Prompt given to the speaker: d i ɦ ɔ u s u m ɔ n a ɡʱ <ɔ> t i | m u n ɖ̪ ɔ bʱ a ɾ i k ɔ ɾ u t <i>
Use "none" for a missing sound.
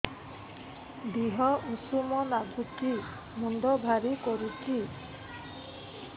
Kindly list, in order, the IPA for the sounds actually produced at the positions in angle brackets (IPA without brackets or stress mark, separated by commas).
u, i